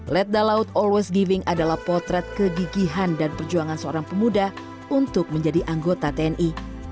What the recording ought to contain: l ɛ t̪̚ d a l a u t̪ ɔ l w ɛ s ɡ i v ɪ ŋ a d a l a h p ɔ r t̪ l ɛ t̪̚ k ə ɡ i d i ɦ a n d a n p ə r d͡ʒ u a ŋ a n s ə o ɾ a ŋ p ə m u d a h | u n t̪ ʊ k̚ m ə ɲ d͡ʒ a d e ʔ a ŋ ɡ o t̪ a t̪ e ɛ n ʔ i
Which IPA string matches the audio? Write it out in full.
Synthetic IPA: l ɛ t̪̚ d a l a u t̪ ɔ l w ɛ s ɡ i v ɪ ŋ a d a l a h p ɔ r t̪ ɾ ɛ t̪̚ k ə ɡ i ɡ i ɦ a n d a n p ə r d͡ʒ u a ŋ a n s ə o ɾ a ŋ p ə m u d a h | u n t̪ ʊ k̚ m ə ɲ d͡ʒ a d i ʔ a ŋ ɡ o t̪ a t̪ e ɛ n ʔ i